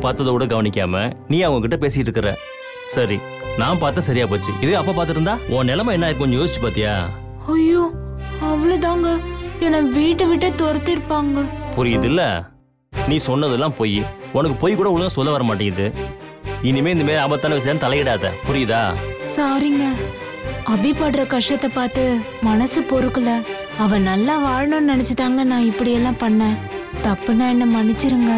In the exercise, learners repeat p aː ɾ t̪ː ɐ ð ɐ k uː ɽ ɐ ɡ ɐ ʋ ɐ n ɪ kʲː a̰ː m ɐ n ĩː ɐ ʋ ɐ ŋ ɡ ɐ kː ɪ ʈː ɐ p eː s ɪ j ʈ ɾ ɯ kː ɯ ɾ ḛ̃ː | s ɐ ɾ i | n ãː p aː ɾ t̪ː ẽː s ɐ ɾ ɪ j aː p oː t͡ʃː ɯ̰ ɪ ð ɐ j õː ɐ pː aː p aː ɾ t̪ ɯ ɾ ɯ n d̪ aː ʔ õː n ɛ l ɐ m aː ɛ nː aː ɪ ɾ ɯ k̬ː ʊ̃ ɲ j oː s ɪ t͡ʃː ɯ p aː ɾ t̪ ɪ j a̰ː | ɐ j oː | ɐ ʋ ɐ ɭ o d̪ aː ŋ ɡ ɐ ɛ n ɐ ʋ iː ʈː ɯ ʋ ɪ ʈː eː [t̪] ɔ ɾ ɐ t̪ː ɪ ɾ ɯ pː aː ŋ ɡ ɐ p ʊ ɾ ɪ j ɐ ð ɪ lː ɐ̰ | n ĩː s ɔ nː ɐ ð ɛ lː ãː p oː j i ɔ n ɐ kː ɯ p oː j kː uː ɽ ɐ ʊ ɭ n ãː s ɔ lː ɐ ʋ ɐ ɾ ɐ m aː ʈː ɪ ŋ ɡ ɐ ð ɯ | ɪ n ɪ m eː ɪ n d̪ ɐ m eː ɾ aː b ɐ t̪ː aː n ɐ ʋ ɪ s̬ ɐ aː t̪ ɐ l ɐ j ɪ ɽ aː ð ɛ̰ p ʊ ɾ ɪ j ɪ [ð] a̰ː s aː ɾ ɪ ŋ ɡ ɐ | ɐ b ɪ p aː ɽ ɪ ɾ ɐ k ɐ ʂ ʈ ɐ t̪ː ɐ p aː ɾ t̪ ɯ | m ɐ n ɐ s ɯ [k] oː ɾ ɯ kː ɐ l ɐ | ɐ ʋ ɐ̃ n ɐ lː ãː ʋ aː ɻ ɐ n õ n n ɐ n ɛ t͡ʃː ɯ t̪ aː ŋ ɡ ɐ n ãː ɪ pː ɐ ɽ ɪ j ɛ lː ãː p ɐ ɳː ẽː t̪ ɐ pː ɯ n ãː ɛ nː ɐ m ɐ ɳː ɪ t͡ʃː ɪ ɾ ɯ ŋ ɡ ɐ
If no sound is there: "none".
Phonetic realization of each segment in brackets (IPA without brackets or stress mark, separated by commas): t̪, ð, p